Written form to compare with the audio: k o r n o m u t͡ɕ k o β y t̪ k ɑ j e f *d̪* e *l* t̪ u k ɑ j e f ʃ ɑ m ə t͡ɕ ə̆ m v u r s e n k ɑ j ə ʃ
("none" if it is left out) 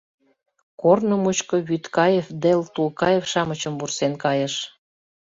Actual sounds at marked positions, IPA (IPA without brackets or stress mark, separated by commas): d̪, l